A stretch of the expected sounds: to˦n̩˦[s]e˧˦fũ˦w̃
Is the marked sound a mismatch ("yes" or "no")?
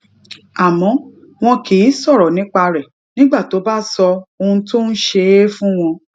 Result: yes